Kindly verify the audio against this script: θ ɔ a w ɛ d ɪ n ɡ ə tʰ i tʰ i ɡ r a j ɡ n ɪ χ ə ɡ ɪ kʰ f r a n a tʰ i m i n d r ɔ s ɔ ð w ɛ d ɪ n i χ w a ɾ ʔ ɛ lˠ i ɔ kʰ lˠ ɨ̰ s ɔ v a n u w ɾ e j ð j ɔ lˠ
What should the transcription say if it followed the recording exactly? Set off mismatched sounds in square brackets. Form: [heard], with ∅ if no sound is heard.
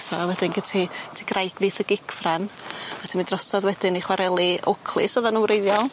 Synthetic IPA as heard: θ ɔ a w ɛ d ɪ n ɡ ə tʰ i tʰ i ɡ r a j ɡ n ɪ [θ] ə ɡ ɪ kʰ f r a n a tʰ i m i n d r ɔ s ɔ ð w ɛ d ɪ n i χ w a ɾ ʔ ɛ lˠ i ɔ kʰ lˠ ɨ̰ s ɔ [ð] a n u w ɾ e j ð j ɔ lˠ